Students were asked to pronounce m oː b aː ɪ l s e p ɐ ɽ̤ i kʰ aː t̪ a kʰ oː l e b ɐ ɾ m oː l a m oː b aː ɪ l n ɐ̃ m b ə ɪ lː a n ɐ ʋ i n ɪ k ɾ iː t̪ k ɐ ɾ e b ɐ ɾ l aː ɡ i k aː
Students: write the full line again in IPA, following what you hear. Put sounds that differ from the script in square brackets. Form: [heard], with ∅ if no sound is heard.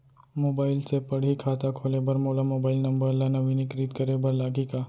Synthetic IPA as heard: m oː b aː ɪ l s e p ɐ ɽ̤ i kʰ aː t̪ a kʰ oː l e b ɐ ɾ m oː l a m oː b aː ɪ l n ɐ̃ m b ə ɪ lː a n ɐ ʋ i n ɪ k ɾ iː t̪ k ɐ ɾ e b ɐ ɾ l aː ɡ i k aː